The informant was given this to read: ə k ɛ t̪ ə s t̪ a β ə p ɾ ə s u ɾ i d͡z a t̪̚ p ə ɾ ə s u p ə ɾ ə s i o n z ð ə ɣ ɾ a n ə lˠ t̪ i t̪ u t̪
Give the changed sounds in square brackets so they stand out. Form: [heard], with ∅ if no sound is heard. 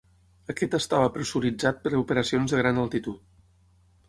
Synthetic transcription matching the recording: ə k ɛ t̪ ə s t̪ a β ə p ɾ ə s u ɾ i d͡z a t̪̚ p ə ɾ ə [∅] u p ə ɾ ə s i o n z ð ə ɣ ɾ a n ə lˠ t̪ i t̪ u t̪